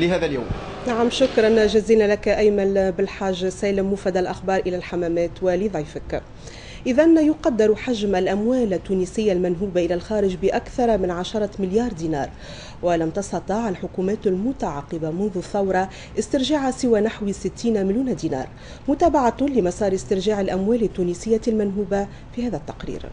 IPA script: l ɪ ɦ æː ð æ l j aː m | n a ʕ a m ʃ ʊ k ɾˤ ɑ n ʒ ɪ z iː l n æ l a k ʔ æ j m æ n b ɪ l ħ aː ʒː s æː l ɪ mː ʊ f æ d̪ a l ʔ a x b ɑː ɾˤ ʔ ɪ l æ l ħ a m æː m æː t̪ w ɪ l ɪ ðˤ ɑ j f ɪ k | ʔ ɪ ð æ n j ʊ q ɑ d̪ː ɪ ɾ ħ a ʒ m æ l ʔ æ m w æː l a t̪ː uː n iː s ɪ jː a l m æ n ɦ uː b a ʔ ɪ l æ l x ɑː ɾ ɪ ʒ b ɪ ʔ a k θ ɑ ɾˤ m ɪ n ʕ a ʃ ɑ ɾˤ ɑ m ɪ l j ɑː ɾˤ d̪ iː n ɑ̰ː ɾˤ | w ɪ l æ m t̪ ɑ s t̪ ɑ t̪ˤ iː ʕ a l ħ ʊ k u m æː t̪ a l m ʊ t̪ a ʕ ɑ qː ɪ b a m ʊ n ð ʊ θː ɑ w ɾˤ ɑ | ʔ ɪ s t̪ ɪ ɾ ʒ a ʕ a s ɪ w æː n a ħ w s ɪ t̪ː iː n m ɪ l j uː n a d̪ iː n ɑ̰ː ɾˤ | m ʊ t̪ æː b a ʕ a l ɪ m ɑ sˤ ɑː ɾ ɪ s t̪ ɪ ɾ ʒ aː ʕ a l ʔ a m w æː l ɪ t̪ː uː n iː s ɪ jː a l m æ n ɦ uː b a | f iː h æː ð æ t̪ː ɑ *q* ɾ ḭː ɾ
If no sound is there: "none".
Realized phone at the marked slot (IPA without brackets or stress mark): q